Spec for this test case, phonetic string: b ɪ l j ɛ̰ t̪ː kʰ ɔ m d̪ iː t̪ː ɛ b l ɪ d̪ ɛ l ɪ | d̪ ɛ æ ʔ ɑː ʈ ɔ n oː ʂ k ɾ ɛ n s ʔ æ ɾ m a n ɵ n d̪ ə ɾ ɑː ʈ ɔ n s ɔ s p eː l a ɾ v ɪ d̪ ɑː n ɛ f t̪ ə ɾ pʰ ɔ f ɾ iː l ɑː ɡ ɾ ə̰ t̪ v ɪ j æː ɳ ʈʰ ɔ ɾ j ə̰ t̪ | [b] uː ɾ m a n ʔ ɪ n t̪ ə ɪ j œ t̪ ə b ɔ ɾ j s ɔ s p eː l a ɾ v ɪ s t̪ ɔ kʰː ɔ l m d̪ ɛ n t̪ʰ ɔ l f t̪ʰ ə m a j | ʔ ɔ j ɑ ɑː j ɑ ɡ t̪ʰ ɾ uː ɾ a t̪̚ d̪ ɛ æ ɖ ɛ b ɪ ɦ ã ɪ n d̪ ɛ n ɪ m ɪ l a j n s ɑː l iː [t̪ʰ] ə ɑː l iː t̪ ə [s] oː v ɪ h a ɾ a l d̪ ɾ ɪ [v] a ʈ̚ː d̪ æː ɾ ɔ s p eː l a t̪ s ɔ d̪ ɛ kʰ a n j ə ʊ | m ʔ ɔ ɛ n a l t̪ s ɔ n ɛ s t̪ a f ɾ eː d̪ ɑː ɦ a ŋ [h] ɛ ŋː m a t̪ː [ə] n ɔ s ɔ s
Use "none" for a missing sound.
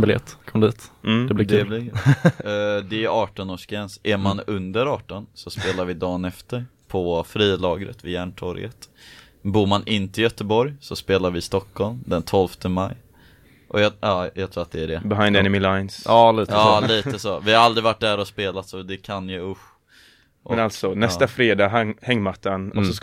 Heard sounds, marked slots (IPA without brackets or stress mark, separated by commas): b, t̪, s, v, h, a